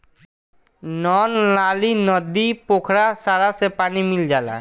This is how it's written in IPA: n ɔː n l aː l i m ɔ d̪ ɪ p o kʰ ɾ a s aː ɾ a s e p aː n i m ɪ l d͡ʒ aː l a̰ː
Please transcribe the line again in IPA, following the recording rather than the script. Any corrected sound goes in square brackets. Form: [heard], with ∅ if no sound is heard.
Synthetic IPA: n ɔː n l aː l i [n] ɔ d̪ [i] p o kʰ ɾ a s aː ɾ a s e p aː n i m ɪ l d͡ʒ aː l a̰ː